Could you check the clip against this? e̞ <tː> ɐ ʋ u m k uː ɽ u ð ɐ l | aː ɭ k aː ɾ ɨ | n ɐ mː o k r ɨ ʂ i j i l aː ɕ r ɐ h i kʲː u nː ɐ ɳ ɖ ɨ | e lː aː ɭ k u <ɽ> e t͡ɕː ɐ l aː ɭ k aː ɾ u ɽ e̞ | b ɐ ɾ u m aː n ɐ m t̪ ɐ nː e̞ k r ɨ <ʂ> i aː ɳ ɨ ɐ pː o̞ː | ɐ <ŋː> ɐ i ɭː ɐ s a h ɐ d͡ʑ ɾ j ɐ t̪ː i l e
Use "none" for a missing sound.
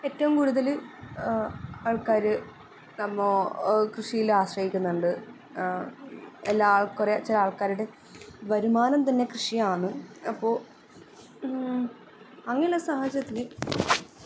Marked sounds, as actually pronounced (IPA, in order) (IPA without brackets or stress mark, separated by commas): tː, r, ʂ, ŋː